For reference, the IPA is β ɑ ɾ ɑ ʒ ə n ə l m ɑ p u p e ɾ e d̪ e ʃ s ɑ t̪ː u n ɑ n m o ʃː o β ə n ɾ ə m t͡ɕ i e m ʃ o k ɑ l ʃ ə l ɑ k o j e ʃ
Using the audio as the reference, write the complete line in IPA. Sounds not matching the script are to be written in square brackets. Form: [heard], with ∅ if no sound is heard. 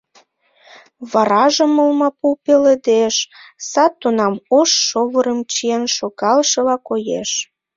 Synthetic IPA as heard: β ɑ ɾ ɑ ʒ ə [m] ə l m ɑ p u p e [l] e d̪ e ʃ s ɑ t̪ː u n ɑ [∅] m o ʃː o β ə [∅] ɾ ə m t͡ɕ i e [n] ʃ o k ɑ l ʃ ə l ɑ k o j e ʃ